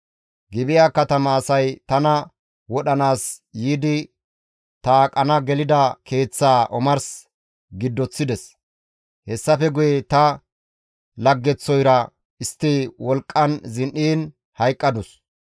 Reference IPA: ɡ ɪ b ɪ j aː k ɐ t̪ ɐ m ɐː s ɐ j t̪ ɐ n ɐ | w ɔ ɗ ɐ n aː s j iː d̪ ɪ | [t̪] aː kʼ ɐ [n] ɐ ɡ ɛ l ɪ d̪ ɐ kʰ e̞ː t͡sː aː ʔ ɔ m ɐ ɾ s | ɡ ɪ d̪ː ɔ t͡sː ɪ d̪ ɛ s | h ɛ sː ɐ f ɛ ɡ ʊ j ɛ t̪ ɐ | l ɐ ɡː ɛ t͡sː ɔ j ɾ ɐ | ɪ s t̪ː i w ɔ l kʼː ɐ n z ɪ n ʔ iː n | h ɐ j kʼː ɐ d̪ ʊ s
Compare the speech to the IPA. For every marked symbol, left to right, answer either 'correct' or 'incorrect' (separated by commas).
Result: correct, correct